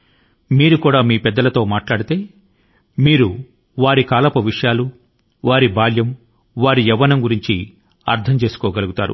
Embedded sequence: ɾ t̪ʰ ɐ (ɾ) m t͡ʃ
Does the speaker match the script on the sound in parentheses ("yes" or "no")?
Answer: no